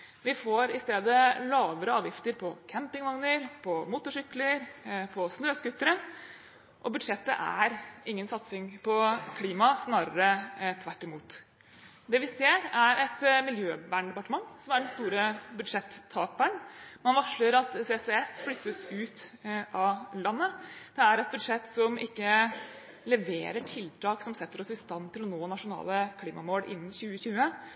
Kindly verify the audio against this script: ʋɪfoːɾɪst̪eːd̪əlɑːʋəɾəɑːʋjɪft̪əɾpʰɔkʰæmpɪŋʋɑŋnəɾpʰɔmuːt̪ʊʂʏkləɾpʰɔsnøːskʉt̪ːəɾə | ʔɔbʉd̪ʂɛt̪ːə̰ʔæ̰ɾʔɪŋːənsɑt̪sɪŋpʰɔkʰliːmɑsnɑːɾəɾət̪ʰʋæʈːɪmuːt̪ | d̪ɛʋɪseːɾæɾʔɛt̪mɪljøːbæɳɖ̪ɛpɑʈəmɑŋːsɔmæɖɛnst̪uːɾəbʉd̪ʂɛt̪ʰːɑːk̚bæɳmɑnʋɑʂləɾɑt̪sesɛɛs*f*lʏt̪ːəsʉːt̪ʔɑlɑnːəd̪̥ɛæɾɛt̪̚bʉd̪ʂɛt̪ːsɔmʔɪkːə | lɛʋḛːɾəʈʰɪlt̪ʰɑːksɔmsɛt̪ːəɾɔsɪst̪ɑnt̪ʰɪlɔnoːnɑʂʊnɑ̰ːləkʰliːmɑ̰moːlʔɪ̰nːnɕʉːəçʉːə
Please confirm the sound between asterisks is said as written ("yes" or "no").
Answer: yes